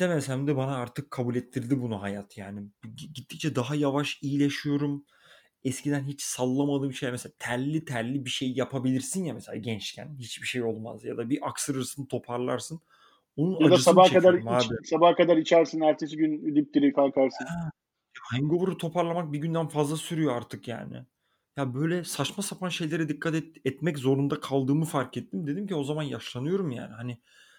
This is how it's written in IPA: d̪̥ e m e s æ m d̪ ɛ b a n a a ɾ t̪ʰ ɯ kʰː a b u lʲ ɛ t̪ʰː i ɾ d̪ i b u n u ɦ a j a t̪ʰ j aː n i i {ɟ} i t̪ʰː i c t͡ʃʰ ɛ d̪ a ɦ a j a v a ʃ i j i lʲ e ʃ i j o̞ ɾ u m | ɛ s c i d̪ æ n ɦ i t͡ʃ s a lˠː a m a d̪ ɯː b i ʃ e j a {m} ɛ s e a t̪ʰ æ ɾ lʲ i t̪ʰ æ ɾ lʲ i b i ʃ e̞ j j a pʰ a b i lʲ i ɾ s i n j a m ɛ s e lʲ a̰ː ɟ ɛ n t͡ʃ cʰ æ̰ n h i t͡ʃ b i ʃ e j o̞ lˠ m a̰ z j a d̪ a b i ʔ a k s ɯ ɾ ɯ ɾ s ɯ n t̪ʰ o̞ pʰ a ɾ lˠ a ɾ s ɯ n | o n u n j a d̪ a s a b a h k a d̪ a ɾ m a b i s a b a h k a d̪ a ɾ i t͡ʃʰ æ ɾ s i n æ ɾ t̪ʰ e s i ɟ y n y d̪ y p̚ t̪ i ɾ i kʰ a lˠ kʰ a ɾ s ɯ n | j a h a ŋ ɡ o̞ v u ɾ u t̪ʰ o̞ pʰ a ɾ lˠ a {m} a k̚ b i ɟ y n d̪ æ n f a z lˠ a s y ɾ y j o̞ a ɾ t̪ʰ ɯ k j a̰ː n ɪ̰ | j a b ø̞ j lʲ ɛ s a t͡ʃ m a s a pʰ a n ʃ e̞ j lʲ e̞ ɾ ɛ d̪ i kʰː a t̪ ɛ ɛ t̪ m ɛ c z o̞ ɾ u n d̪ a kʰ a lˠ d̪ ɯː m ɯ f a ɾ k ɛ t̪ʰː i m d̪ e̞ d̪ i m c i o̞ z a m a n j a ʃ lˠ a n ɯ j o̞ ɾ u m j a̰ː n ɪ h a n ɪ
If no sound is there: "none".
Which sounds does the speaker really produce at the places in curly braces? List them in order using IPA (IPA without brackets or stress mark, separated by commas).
ɟ, m, m